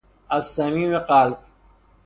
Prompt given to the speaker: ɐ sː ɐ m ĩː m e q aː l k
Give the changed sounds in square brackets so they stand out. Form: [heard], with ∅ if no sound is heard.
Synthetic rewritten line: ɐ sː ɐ m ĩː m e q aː l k